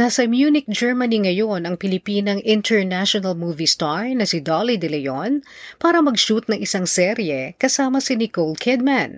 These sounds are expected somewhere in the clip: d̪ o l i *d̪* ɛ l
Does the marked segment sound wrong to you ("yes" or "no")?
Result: no